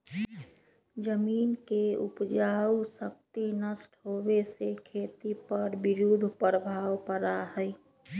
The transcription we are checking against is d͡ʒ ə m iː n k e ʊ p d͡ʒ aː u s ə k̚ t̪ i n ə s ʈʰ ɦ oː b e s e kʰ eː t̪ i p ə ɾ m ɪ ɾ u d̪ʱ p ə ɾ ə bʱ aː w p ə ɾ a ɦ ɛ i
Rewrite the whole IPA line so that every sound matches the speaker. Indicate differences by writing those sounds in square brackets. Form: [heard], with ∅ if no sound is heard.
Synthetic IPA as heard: d͡ʒ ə m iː n k e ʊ p d͡ʒ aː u s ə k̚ t̪ i n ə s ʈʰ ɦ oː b e s e kʰ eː t̪ i p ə ɾ [b] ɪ ɾ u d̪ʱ p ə ɾ ə bʱ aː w p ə ɾ a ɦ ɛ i